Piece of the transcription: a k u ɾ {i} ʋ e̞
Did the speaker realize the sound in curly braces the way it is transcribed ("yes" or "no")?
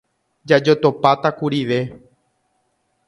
yes